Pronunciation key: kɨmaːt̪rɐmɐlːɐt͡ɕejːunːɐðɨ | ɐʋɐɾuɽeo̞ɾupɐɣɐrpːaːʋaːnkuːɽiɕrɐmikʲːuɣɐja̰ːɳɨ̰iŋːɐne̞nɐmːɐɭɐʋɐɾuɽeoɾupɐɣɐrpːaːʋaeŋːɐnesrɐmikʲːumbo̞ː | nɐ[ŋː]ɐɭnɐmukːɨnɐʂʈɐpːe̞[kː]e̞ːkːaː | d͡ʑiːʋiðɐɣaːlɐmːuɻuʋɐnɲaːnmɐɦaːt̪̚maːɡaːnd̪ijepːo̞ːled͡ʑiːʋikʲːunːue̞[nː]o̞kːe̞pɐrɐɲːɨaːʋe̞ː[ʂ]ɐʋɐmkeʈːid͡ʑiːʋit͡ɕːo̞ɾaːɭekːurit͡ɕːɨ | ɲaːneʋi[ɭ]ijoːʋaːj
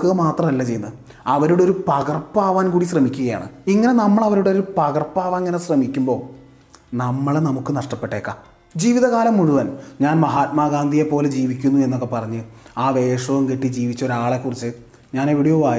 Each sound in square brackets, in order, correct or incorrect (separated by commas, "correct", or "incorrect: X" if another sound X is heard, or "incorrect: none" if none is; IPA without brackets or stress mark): incorrect: mː, incorrect: ʈː, correct, correct, incorrect: ɽ